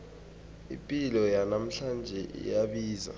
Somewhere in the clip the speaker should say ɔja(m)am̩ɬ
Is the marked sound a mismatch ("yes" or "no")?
yes